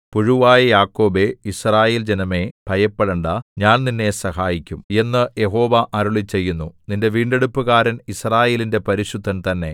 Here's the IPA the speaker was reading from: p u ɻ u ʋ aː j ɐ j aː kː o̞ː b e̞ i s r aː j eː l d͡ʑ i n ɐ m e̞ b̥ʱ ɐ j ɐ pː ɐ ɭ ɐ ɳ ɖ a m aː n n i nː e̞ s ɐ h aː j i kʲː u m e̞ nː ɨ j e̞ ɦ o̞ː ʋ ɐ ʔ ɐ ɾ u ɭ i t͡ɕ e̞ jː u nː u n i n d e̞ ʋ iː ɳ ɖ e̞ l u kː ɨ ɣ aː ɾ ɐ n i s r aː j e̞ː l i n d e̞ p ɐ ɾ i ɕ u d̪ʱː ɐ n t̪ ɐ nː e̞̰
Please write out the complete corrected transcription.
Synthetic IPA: p u ɻ u ʋ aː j ɐ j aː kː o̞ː b e̞ i s r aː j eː l d͡ʑ e n ɐ m e̞ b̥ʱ ɐ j ɐ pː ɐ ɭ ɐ ɳ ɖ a ɲ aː n n i nː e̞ s ɐ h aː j i kʲː u m e̞ nː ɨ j e̞ ɦ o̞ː ʋ ɐ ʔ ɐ ɾ u ɭ i t͡ɕ e̞ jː u nː u n i n d e̞ ʋ iː ɳ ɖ e̞ ɽ u pː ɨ ɣ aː ɾ ɐ n i s r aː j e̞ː l i n d e̞ p ɐ ɾ i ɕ u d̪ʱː ɐ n t̪ ɐ nː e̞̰